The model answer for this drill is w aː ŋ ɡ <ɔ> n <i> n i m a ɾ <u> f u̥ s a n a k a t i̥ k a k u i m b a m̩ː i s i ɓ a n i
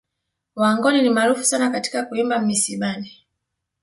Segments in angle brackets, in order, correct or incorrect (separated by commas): correct, correct, correct